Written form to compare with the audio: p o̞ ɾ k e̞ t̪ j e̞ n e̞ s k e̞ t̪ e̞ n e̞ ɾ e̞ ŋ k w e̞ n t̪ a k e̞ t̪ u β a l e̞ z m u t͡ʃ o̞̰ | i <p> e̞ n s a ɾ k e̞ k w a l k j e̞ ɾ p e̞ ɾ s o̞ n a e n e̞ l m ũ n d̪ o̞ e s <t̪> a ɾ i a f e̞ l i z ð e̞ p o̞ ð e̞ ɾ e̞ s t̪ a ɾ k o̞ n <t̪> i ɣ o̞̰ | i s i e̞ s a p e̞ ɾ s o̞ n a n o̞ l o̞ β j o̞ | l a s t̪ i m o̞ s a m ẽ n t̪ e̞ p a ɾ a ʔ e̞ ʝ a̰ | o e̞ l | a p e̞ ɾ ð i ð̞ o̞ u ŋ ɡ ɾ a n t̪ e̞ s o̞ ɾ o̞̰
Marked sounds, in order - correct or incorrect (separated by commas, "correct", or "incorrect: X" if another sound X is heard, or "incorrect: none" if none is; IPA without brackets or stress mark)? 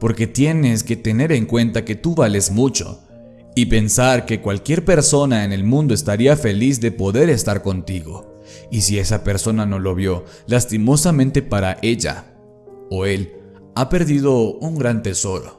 correct, correct, correct